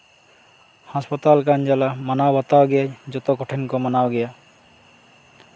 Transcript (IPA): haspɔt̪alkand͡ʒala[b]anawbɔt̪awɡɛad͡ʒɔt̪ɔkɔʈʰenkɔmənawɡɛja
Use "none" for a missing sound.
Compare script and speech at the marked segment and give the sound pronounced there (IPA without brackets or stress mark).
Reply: m